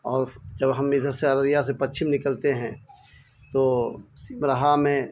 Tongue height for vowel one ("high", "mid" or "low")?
mid